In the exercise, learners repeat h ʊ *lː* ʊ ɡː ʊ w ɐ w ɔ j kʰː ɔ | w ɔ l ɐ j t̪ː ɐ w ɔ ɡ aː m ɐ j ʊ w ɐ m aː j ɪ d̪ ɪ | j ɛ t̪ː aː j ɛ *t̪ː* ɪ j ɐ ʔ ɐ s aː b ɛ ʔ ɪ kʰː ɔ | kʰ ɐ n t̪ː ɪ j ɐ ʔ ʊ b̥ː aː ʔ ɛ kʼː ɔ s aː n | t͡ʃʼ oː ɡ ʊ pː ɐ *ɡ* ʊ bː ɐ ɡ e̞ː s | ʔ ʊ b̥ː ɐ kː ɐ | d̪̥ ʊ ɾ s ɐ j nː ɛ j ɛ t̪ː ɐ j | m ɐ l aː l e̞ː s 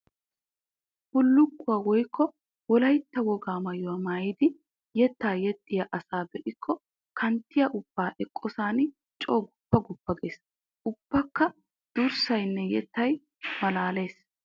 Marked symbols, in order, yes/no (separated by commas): yes, no, yes